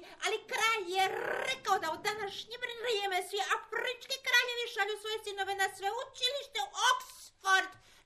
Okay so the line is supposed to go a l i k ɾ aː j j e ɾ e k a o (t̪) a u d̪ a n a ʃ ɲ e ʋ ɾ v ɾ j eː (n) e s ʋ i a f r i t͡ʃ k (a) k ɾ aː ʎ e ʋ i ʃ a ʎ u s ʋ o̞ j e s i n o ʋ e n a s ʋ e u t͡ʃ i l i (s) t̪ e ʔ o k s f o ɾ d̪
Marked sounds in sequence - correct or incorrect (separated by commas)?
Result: incorrect, incorrect, incorrect, incorrect